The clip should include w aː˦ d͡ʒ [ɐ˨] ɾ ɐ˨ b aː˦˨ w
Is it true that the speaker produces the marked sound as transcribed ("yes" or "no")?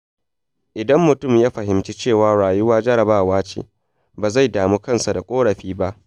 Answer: no